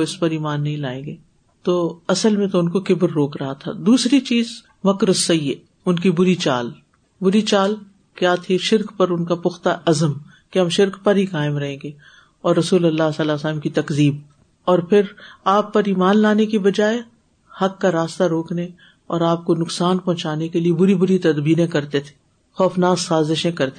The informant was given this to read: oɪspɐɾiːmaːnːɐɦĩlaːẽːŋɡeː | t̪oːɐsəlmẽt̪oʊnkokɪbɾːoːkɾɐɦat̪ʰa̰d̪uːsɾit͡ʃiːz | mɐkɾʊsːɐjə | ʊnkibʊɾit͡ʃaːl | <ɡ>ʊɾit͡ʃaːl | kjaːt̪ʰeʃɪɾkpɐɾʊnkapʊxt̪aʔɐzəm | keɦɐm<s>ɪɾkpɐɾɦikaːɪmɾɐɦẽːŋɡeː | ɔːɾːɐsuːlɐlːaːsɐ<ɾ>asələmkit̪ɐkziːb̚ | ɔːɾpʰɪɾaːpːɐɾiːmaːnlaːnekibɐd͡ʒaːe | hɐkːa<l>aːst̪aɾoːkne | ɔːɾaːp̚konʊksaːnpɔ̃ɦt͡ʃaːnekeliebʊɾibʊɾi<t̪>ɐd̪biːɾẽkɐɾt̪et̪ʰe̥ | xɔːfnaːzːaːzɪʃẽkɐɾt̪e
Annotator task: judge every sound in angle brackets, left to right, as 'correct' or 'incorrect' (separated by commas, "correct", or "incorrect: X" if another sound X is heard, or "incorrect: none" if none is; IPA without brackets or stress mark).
incorrect: b, incorrect: ʃ, incorrect: l, incorrect: ɾ, correct